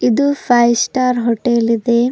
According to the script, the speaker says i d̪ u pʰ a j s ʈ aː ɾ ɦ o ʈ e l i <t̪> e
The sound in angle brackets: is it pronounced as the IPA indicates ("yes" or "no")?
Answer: no